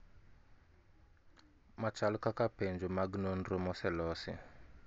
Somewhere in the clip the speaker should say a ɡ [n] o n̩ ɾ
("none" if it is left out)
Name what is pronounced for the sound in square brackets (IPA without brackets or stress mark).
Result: n